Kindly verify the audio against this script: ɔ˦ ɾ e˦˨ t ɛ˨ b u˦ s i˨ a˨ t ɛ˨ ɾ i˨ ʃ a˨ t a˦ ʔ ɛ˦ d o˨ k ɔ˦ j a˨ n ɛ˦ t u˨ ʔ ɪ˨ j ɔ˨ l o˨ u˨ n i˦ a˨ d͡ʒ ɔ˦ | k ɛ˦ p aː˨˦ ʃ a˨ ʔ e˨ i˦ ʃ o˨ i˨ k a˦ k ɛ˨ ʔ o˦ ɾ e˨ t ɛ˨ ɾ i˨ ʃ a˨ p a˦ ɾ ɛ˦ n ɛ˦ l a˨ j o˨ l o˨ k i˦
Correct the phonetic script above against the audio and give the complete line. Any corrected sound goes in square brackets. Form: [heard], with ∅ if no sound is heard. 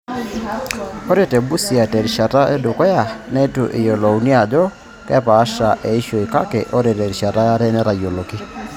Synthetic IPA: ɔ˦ ɾ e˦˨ t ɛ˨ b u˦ s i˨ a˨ t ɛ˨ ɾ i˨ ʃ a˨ t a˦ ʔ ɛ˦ d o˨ k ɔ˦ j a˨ n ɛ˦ t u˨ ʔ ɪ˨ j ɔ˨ l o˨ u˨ n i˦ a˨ d͡ʒ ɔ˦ | k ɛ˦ p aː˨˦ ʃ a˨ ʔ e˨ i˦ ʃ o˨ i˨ k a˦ k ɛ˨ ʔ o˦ ɾ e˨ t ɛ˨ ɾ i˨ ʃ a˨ [t] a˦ ɾ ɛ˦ n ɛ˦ [ɾ] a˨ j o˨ l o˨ k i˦